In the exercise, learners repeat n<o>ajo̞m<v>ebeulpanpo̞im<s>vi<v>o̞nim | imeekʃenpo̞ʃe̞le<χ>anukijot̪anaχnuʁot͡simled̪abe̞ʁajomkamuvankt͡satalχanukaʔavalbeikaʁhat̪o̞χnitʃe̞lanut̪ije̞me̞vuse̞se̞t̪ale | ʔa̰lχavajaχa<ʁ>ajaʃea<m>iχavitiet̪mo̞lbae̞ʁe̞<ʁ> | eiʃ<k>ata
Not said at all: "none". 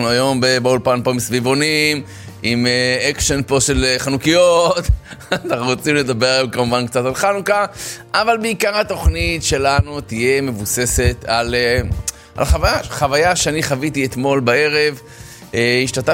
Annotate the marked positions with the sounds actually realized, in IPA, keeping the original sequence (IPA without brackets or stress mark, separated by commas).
u, b, s, v, χ, v, n, v, t